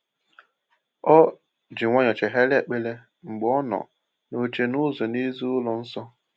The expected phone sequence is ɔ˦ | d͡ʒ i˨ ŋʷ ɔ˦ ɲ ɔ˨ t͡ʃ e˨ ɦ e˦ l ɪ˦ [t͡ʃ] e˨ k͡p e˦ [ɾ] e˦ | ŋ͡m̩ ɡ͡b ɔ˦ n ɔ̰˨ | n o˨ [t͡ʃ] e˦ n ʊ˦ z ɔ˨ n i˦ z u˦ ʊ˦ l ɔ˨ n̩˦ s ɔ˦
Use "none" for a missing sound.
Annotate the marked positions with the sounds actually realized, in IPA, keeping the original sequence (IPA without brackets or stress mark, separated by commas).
none, l, t͡ʃ